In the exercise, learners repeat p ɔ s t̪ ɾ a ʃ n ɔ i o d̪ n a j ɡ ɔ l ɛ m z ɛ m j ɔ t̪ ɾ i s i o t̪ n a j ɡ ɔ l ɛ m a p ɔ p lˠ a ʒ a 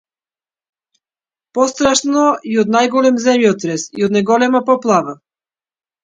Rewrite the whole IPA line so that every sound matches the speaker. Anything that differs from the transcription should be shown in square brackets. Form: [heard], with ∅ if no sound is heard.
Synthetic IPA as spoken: p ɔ s t̪ ɾ a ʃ n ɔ i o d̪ n a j ɡ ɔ l ɛ m z ɛ m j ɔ t̪ ɾ [ɛ] s i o [d̪] n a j ɡ ɔ l ɛ m a p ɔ p lˠ a [v] a